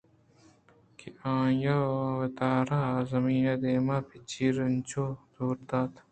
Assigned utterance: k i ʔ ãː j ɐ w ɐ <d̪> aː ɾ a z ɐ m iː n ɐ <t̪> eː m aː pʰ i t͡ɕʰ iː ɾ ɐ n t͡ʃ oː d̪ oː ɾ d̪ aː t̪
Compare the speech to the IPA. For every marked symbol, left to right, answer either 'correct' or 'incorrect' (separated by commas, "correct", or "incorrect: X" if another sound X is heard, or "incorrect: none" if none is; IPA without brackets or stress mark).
incorrect: t̪, incorrect: d̪